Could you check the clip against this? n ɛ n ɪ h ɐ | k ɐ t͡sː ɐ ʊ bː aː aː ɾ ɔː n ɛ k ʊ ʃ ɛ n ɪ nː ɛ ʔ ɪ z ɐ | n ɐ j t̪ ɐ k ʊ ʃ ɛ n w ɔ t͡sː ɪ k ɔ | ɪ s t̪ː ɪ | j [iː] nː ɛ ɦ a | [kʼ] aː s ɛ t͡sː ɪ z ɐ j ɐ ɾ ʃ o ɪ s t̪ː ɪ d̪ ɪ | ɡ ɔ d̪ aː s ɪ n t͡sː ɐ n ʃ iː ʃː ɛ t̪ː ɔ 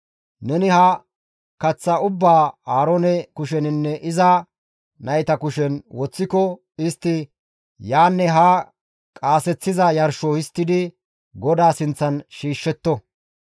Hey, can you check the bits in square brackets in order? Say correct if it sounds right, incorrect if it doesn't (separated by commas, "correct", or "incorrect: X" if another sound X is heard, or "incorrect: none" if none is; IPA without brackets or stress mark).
incorrect: aː, correct